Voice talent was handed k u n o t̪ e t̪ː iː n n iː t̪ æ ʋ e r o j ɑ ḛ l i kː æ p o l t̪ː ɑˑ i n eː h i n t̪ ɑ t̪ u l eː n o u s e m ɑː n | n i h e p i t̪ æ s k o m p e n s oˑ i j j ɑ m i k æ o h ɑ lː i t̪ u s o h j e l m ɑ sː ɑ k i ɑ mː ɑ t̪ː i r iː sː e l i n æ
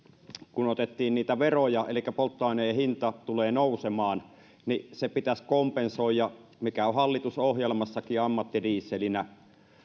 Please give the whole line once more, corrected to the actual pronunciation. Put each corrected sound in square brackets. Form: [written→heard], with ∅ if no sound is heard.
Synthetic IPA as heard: k u n o t̪ e t̪ː iː n n iː t̪ æ ʋ e r o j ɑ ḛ l i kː æ p o l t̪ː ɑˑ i n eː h i n t̪ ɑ t̪ u l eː n o u s e m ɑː n | n i [h→s] e p i t̪ æ s k o m p e n s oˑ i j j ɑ m i k æ o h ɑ lː i t̪ u s o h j e l m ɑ sː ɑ k i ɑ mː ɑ t̪ː i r iː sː e l i n æ